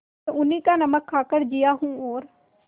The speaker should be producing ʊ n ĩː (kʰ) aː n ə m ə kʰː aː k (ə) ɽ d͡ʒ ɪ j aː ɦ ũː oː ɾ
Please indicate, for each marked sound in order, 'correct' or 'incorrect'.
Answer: incorrect, correct

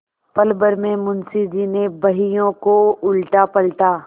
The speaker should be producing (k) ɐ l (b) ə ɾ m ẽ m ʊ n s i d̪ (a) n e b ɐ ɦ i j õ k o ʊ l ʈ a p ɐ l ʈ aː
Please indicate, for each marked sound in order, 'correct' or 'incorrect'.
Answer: incorrect, correct, incorrect

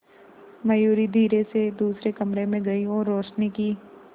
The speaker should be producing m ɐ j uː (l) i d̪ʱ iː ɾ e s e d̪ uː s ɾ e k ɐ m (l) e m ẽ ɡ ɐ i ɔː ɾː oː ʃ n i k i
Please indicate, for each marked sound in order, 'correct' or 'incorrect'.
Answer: incorrect, incorrect

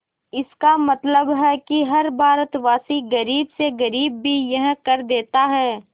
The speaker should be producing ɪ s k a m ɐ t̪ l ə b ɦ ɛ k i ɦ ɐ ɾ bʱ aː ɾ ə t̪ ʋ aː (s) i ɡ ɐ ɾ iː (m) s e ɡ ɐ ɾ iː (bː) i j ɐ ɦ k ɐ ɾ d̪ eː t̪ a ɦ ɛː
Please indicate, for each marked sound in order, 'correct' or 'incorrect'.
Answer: correct, incorrect, correct

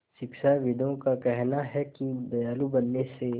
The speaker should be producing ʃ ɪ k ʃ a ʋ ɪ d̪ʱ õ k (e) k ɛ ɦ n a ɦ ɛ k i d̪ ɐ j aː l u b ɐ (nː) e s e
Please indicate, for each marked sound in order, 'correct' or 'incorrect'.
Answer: incorrect, correct

